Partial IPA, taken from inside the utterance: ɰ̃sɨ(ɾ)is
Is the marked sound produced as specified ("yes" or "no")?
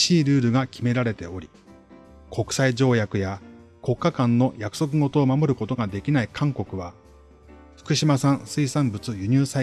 no